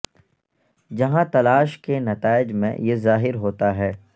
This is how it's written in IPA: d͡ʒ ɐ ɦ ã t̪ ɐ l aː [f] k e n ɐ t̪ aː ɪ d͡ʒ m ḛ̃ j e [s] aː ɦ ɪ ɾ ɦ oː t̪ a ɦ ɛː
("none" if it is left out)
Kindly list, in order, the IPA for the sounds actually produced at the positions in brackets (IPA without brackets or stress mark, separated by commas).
ʃ, z